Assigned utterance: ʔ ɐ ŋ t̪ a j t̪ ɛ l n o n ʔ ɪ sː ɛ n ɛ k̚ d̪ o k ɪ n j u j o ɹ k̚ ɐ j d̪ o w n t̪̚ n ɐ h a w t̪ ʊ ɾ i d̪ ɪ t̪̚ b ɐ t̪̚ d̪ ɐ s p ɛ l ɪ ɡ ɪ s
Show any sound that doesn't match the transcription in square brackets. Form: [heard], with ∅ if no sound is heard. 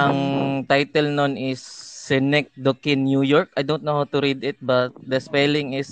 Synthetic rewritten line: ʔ ɐ ŋ t̪ a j t̪ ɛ l n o n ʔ ɪ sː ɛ n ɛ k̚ d̪ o k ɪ n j u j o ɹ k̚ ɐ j d̪ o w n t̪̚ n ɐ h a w t̪ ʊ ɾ i d̪ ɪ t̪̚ b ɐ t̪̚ d̪ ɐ s p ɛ l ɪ [ŋ] ɪ s